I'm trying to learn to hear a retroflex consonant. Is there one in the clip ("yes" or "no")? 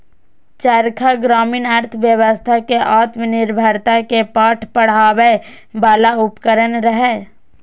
yes